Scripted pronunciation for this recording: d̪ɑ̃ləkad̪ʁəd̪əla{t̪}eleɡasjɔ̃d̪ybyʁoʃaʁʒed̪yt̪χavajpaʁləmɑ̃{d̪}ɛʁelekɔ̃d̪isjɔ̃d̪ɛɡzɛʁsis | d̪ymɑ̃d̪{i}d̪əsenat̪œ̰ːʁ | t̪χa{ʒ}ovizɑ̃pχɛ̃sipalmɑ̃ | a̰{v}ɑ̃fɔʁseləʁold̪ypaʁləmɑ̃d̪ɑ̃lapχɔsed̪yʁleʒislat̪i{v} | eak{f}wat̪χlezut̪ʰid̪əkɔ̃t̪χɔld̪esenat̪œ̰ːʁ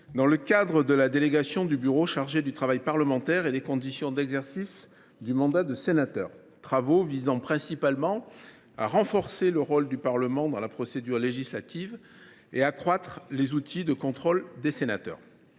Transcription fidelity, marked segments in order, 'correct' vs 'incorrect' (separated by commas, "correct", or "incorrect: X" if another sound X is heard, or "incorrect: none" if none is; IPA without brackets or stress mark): incorrect: d̪, incorrect: t̪, incorrect: a, incorrect: v, incorrect: ʁ, correct, incorrect: χ